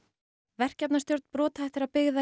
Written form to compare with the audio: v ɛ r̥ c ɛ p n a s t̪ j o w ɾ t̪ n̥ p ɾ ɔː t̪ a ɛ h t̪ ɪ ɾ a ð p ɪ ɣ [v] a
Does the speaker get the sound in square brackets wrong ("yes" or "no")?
yes